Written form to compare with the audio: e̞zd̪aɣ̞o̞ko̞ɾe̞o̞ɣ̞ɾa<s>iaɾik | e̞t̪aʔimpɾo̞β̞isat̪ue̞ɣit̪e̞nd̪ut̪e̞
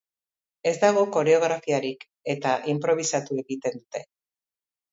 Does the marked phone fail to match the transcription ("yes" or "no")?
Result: yes